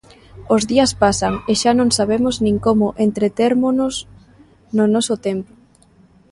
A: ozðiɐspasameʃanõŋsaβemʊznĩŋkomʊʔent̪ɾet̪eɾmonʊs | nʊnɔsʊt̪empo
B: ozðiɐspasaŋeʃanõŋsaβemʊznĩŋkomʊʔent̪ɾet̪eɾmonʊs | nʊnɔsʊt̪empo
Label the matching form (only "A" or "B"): B